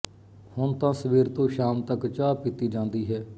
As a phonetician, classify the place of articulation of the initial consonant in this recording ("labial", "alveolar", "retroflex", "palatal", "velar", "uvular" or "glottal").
glottal